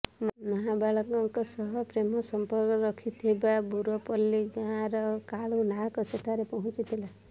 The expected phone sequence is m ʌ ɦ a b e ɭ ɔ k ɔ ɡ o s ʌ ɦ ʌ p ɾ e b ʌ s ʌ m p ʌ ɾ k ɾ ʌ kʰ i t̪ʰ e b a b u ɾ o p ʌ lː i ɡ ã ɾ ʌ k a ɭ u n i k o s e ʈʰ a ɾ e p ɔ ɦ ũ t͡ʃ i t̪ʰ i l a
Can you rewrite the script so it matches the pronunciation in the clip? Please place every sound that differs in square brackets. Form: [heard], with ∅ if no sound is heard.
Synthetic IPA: m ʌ ɦ a b [a] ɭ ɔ k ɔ [k] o s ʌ ɦ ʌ p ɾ e [m] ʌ s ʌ m p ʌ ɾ k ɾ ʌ kʰ i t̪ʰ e b a b u ɾ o p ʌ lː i ɡ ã ɾ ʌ k a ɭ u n [a] k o s e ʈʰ a ɾ e p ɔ ɦ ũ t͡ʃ i t̪ʰ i l a